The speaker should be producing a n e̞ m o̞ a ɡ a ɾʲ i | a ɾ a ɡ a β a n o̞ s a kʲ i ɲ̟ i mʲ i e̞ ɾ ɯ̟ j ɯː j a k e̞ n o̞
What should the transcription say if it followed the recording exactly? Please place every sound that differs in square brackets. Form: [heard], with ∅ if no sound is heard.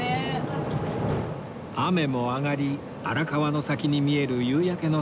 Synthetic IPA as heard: a [m] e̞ m o̞ a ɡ a ɾʲ i | a ɾ a [k] a β a n o̞ s a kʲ i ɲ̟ i mʲ i e̞ ɾ ɯ̟ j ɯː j a k e̞ n o̞

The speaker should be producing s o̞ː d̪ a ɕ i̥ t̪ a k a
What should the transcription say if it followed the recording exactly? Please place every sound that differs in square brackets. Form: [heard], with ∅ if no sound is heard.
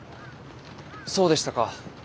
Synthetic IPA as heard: s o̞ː d̪ [e] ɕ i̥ t̪ a k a

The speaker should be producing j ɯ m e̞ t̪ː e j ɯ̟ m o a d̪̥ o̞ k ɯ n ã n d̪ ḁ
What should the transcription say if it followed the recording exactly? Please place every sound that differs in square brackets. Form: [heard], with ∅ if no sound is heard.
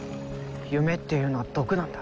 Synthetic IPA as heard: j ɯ m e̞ t̪ː e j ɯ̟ [n] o a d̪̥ o̞ k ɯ n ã n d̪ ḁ

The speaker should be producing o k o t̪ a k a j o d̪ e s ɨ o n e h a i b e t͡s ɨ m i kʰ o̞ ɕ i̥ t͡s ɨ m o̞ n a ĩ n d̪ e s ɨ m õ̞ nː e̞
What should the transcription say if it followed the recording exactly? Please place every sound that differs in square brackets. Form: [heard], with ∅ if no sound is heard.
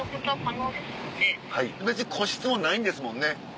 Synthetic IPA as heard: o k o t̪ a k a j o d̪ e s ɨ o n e h a i b e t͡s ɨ [ɲ] i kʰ o̞ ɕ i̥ t͡s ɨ m o̞ n a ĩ n d̪ e s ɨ m õ̞ nː e̞

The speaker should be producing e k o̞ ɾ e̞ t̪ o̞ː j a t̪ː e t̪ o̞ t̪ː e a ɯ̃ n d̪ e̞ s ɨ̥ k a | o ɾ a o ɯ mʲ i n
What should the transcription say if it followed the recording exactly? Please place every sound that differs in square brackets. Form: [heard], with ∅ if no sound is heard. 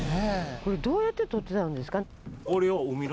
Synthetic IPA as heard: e k o̞ ɾ e̞ [d̪] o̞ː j a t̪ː e t̪ o̞ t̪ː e a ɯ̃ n d̪ e̞ s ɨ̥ k a | o ɾ [e] o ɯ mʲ i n

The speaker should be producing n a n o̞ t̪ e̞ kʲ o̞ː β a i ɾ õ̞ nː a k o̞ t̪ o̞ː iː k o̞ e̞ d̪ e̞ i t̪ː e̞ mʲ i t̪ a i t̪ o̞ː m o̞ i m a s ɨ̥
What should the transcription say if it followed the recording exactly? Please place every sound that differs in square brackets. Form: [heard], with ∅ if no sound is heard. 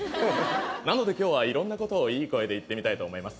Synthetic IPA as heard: n a n o̞ [d̪] e̞ kʲ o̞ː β a i ɾ õ̞ nː a k o̞ t̪ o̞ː iː k o̞ e̞ d̪ e̞ i t̪ː e̞ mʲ i t̪ a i t̪ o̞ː m o̞ i m a s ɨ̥

